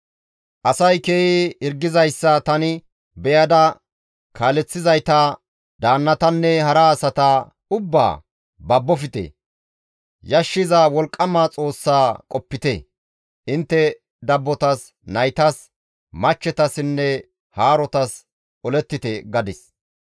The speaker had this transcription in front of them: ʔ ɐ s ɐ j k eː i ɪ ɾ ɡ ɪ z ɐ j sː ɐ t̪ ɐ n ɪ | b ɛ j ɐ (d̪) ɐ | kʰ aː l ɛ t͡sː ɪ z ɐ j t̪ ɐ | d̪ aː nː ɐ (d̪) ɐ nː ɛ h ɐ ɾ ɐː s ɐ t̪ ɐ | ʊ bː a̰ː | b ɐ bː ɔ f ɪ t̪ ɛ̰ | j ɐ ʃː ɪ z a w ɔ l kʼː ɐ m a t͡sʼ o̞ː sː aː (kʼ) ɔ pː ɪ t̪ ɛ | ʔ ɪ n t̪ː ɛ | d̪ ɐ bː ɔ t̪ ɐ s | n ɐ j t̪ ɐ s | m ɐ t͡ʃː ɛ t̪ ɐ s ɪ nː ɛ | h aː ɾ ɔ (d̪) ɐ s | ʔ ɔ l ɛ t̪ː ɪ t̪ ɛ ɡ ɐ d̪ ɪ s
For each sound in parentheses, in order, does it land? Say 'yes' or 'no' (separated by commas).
yes, no, yes, no